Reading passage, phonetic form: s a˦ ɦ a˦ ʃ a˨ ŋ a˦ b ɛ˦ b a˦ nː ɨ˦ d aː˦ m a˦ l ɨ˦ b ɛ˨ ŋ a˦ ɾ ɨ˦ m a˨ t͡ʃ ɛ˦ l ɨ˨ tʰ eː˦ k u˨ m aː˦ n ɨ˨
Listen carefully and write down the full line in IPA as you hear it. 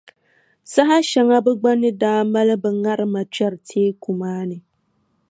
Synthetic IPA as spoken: s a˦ ɦ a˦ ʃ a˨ ŋ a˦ b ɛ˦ ɡ͡b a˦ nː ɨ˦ d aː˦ m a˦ l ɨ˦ b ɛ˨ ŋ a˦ ɾ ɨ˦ m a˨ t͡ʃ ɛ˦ ɾ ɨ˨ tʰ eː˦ k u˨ m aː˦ n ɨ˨